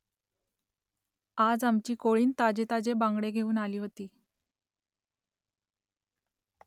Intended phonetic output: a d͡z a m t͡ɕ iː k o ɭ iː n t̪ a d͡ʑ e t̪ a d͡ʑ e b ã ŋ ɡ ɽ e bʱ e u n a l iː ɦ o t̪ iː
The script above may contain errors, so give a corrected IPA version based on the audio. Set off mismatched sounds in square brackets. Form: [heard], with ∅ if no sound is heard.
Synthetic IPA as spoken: a d͡z a m t͡ɕ iː k o ɭ iː n t̪ a d͡ʑ e t̪ a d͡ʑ e b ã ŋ ɡ ɽ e [ɡʱ] e [uː] n a l iː ɦ o t̪ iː